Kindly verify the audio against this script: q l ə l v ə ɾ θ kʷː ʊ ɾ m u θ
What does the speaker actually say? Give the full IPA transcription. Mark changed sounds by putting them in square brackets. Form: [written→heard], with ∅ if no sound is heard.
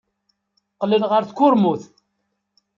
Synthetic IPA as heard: q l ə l [v→ʁ] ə ɾ θ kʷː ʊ ɾ m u θ